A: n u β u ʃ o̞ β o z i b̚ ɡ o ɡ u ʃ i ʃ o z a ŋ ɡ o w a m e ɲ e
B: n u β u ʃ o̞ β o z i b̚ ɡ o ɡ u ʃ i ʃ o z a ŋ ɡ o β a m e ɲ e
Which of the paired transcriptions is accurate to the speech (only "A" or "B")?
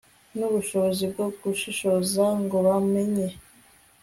B